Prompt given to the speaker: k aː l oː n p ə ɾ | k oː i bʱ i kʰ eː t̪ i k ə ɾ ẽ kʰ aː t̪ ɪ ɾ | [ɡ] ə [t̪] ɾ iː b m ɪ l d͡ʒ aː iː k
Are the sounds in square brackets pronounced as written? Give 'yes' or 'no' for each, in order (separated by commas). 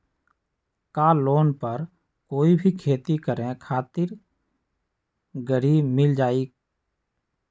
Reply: yes, no